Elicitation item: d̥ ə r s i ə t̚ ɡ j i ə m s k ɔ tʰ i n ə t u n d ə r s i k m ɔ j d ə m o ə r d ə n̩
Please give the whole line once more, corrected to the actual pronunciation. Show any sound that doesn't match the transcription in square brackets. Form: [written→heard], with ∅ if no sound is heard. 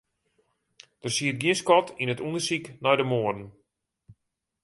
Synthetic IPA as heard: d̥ ə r s i ə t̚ ɡ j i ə [m→n] s k ɔ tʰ i n ə t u n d ə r s i k [m→n] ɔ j d ə m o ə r d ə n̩